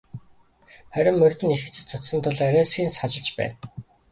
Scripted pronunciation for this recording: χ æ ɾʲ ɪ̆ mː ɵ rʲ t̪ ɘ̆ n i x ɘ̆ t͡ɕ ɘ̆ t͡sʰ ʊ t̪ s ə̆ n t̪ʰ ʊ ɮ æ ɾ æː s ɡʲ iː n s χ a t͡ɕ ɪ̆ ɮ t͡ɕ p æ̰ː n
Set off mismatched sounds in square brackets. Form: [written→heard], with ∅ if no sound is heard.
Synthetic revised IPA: χ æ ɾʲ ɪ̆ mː ɵ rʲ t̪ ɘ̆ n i x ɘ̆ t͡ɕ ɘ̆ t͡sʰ ʊ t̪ s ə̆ n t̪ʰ ʊ ɮ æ ɾ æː s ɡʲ iː n s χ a t͡ɕ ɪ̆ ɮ t͡ɕ p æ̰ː n